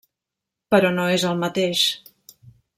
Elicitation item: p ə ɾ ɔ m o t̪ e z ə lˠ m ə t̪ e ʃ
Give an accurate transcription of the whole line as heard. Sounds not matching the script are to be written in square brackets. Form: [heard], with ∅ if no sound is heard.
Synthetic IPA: p ə ɾ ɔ [n] o [∅] e z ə lˠ m ə t̪ e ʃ